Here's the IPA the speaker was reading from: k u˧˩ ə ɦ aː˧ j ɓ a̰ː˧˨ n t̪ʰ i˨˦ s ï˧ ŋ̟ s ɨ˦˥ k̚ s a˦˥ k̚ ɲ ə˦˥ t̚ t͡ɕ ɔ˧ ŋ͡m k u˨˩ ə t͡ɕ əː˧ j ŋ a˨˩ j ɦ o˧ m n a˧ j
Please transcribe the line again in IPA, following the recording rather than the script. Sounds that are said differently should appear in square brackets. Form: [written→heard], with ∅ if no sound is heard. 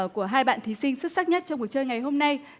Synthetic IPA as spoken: k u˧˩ ə ɦ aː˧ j ɓ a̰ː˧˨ n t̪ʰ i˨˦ s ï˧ ŋ̟ s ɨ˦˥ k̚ s a˦˥ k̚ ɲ ə˦˥ t̚ t͡ɕ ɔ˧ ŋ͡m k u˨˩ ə t͡ɕ əː˧ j ŋ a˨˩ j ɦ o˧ m n a˧ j